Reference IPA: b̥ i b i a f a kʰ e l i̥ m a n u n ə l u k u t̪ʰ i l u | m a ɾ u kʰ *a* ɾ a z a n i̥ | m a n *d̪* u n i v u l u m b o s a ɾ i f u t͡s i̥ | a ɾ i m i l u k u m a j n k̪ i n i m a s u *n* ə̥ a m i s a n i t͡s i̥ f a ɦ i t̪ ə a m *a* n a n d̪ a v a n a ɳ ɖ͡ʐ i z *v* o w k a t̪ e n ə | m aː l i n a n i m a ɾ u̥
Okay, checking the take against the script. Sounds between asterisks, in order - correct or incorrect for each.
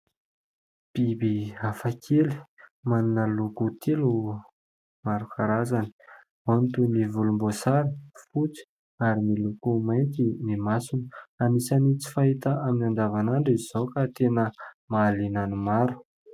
correct, incorrect: t̪, correct, incorrect: i, incorrect: z

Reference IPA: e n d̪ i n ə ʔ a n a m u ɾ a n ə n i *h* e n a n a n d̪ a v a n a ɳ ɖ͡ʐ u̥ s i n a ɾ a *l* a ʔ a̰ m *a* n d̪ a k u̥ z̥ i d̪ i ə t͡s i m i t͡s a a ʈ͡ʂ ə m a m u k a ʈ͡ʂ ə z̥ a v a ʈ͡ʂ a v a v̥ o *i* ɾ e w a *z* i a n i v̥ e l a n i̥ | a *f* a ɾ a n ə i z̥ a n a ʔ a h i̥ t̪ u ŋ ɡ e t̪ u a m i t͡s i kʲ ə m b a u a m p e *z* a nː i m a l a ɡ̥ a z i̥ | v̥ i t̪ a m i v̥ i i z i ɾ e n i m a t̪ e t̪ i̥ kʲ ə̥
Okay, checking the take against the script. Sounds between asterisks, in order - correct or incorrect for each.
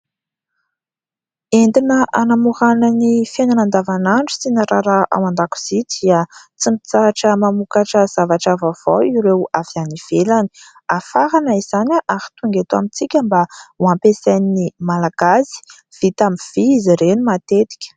incorrect: f, incorrect: ɾ, correct, correct, incorrect: v, correct, incorrect: s

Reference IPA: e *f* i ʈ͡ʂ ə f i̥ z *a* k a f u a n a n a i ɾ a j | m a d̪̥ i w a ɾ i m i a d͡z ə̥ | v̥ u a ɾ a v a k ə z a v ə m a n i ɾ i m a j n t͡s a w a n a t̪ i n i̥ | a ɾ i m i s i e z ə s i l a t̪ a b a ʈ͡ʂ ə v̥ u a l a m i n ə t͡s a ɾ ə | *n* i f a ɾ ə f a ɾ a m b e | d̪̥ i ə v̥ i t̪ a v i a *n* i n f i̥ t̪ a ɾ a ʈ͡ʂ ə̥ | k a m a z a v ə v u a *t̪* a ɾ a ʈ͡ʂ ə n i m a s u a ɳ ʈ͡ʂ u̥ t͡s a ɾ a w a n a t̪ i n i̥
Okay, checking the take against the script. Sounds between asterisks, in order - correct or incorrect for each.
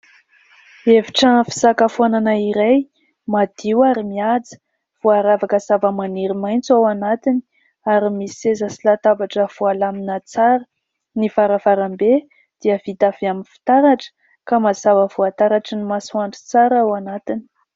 incorrect: v, correct, correct, incorrect: m, correct

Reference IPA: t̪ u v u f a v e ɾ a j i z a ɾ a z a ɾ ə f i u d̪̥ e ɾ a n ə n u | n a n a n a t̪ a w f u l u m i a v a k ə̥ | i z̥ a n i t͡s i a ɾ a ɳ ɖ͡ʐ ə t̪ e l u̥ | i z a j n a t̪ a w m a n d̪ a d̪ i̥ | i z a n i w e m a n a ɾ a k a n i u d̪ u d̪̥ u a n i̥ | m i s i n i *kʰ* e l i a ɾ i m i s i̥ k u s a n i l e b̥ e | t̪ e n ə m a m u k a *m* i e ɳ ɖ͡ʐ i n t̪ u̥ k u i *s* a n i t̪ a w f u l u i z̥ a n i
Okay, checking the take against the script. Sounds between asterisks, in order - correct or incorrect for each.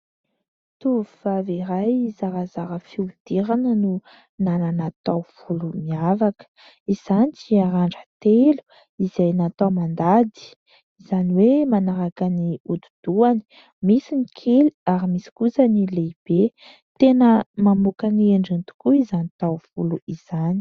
correct, incorrect: n, incorrect: z

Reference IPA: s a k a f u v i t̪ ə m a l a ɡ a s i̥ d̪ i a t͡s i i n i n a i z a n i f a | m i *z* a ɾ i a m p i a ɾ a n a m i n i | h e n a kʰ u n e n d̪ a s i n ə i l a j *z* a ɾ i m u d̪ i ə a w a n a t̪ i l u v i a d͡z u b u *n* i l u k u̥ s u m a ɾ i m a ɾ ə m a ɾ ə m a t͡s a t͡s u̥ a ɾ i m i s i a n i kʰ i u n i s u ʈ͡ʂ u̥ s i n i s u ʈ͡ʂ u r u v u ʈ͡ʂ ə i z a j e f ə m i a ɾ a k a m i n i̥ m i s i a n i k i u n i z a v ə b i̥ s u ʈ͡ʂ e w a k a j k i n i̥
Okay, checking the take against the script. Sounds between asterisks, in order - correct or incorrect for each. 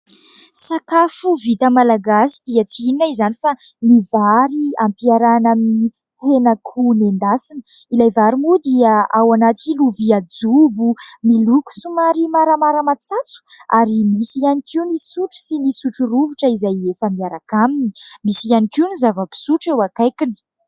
incorrect: v, incorrect: v, incorrect: m

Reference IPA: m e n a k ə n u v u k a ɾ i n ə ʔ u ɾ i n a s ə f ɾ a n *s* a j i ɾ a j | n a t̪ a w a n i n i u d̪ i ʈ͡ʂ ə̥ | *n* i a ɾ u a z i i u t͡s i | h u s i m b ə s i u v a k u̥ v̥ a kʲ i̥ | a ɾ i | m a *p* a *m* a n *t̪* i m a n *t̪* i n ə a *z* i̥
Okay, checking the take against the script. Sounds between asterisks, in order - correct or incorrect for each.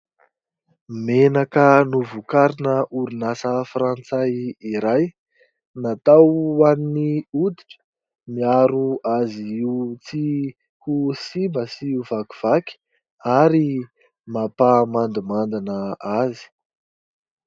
incorrect: t͡s, incorrect: m, correct, correct, incorrect: d̪, incorrect: d̪, correct

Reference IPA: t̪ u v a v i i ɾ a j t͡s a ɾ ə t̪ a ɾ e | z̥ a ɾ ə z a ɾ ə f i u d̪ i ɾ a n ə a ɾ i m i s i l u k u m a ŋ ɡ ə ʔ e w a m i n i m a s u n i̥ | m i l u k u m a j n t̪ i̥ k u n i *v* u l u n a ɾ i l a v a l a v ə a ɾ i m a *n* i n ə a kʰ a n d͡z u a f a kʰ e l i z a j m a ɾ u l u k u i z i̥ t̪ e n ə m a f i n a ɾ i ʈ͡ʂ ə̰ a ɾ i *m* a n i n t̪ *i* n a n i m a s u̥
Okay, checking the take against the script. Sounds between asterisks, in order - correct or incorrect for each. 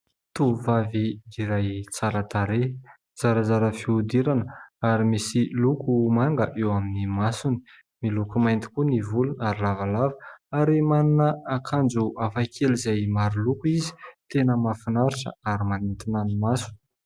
correct, correct, correct, correct

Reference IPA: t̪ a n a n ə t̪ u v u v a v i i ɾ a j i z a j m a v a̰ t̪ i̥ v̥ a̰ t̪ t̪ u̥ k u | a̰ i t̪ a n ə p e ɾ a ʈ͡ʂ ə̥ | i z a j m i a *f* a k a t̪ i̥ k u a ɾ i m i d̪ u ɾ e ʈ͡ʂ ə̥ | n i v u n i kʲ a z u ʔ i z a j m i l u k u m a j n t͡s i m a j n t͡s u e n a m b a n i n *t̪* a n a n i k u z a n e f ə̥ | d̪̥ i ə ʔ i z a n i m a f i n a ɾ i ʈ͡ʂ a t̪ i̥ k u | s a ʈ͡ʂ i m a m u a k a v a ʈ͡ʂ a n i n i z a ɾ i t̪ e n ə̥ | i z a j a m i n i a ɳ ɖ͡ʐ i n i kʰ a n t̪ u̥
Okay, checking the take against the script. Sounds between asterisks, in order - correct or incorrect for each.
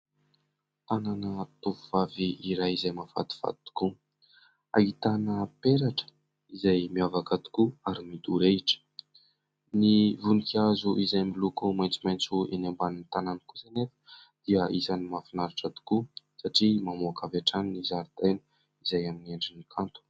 incorrect: v, correct

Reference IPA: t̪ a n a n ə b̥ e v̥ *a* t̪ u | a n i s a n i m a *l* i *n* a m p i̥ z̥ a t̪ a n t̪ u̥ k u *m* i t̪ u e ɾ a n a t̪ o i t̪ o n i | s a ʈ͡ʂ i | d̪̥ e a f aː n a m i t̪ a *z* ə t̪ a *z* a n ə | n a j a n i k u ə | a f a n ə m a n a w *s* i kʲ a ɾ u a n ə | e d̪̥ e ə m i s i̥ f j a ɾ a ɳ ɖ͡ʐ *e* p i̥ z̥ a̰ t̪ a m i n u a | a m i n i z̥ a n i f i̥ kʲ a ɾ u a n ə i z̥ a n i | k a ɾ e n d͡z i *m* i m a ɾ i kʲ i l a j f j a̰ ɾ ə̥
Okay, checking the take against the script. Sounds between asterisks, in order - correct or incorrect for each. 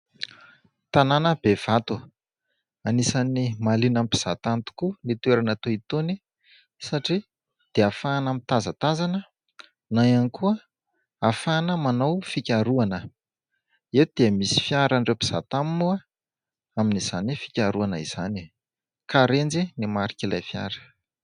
correct, correct, correct, incorrect: n, correct, correct, incorrect: f, correct, incorrect: n

